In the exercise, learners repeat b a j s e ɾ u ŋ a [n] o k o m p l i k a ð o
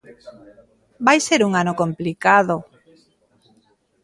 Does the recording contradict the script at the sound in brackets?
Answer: no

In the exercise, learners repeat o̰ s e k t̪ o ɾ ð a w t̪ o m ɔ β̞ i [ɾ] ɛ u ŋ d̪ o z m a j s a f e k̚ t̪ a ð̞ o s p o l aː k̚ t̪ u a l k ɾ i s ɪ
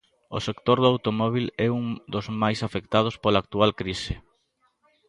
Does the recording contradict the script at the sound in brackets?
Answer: yes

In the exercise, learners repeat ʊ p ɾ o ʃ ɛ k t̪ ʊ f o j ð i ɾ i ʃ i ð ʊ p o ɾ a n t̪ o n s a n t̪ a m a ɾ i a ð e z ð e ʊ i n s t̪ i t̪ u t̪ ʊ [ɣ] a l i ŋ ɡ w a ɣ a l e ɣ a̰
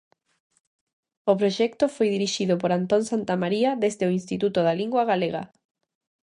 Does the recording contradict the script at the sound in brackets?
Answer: yes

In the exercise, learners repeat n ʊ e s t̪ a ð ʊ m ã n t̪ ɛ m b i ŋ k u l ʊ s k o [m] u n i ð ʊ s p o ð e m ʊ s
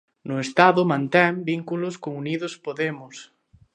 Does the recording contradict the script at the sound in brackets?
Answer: yes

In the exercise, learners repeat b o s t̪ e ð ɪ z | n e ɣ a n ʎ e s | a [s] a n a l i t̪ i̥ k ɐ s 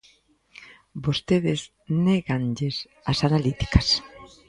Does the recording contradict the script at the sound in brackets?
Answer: no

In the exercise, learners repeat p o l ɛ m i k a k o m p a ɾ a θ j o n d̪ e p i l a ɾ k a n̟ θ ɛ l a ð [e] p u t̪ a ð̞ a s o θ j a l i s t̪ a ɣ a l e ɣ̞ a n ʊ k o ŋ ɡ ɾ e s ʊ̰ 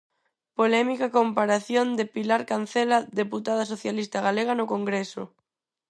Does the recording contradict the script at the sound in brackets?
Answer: no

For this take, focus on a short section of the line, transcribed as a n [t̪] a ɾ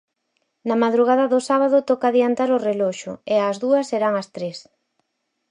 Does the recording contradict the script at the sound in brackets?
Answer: no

